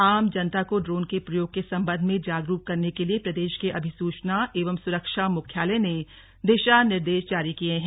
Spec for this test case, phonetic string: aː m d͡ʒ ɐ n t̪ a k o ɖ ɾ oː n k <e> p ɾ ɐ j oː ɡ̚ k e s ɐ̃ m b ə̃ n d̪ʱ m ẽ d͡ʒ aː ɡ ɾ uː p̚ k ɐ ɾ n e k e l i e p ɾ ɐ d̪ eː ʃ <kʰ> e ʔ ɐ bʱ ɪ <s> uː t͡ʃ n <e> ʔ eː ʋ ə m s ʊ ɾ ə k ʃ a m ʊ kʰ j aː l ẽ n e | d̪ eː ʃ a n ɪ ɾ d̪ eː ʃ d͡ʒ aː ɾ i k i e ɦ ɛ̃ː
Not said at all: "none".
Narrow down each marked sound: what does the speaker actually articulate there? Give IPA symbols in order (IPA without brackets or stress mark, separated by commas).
e, k, s, a